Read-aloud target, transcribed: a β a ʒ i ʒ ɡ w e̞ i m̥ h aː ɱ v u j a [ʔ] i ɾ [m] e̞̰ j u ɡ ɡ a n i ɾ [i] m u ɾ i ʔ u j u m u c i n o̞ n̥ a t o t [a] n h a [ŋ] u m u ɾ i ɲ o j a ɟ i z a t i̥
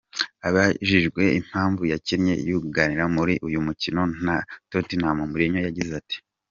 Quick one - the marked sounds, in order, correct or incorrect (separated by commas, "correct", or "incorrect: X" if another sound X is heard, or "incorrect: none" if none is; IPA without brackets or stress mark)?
incorrect: c, incorrect: ɲ, incorrect: a, incorrect: i, incorrect: m